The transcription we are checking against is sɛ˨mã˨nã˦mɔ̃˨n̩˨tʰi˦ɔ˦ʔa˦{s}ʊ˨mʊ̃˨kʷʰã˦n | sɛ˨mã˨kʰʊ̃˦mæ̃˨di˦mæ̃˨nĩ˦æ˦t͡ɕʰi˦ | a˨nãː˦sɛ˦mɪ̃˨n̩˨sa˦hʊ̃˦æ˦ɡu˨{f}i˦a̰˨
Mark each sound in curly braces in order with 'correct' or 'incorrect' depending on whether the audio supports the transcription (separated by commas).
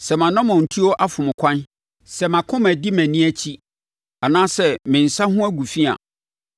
incorrect, correct